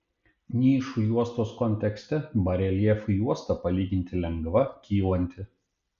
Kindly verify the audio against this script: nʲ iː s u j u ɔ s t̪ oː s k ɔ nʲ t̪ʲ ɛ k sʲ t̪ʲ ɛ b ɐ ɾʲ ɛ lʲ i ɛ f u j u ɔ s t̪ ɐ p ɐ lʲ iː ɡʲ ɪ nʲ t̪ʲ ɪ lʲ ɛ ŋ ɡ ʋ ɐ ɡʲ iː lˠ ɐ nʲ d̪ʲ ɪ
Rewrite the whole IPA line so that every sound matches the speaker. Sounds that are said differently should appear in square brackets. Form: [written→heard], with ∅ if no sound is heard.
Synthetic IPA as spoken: nʲ iː [s→ʃ] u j u ɔ s t̪ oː s k ɔ nʲ t̪ʲ ɛ k sʲ t̪ʲ ɛ b ɐ ɾʲ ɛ lʲ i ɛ f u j u ɔ s t̪ ɐ p ɐ lʲ iː ɡʲ ɪ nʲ t̪ʲ ɪ lʲ ɛ ŋ ɡ ʋ ɐ [ɡʲ→kʲ] iː lˠ ɐ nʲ [d̪ʲ→t̪ʲ] ɪ